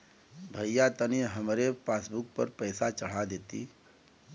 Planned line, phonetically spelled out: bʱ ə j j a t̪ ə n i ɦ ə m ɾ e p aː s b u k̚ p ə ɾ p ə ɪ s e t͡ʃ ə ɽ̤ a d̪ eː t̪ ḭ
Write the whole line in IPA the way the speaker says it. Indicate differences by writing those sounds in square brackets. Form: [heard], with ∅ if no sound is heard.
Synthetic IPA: bʱ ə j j a t̪ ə n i ɦ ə m ɾ e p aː s b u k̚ p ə ɾ p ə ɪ s [a] t͡ʃ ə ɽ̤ a d̪ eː t̪ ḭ